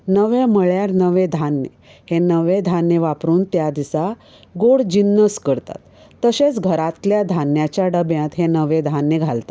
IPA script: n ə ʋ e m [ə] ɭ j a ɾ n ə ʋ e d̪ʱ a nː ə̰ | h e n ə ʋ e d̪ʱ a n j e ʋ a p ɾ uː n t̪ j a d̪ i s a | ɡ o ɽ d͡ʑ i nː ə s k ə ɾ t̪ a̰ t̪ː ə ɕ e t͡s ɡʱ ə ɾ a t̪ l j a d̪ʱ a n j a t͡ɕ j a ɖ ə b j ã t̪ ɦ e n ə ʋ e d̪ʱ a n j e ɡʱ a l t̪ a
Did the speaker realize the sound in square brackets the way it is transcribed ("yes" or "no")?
yes